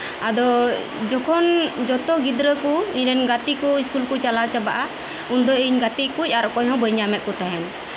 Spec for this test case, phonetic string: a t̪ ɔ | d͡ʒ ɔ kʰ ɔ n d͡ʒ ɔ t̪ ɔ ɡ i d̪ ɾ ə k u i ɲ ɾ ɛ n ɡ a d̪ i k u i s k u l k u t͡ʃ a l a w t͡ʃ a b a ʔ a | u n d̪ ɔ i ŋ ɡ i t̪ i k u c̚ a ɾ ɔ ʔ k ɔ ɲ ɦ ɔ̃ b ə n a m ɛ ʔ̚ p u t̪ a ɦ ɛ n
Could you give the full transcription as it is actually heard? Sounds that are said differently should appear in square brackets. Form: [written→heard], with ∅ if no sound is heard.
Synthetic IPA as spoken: a [t̪→d̪] ɔ | d͡ʒ ɔ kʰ ɔ n d͡ʒ ɔ t̪ ɔ ɡ i d̪ ɾ ə k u i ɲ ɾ ɛ n ɡ a [d̪→t̪] i k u i s k u l k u t͡ʃ a l a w t͡ʃ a b a ʔ a | u n d̪ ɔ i [ŋ→ɲ] ɡ [i→a] t̪ i k u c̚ a ɾ ɔ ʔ k ɔ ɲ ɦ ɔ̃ b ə [n→ɲ] a m ɛ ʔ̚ [p→k] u t̪ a ɦ ɛ n